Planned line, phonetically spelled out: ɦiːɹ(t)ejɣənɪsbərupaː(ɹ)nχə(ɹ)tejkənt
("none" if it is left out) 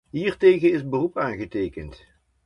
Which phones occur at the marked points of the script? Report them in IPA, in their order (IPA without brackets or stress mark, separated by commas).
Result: t, none, none